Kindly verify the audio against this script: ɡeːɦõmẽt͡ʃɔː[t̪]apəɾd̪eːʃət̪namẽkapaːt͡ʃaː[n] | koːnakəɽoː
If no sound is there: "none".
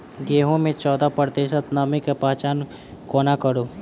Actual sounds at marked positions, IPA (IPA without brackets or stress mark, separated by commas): d̪, n